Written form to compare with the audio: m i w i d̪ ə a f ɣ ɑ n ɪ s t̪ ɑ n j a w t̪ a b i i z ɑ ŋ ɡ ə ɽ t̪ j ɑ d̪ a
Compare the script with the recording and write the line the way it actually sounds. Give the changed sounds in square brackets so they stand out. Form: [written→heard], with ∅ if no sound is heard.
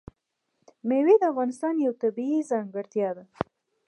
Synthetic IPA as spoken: m [i→e] w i d̪ ə a f ɣ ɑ n ɪ s t̪ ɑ n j a w t̪ a b i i z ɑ ŋ ɡ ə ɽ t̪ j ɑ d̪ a